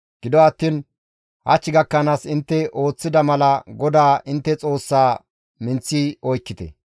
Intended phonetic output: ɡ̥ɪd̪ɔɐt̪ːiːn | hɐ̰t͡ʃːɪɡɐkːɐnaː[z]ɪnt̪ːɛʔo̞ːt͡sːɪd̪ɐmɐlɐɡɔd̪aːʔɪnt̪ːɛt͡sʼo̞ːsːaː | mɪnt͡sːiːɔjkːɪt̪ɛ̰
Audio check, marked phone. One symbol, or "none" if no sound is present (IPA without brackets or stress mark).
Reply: s